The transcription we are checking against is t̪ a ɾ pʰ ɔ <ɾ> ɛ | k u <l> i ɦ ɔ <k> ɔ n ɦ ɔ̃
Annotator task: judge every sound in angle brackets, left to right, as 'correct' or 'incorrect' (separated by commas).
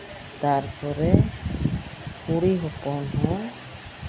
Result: correct, incorrect, incorrect